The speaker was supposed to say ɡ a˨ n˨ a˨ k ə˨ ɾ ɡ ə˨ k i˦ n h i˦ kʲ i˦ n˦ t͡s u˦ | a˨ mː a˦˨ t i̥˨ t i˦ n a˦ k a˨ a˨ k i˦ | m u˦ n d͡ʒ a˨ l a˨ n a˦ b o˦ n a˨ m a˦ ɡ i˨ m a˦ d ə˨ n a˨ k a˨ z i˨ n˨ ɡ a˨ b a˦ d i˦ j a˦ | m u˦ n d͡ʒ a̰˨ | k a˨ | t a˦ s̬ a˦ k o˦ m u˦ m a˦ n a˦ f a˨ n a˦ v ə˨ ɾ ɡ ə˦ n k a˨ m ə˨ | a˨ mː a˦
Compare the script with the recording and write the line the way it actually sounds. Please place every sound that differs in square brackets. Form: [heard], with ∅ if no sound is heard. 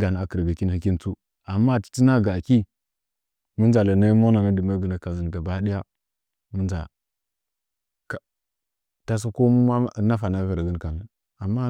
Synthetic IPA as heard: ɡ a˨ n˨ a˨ k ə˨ ɾ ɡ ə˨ k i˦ n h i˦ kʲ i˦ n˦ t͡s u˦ | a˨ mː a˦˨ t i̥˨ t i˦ n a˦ [ɡ] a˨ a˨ k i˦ | m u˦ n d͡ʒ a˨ l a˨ n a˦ [m] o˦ n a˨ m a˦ [d] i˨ m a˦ [ɡ] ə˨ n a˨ k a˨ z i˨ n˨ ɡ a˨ b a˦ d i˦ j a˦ | m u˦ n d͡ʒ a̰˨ | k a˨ | t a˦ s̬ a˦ k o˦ m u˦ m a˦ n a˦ f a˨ n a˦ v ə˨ ɾ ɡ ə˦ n k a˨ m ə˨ | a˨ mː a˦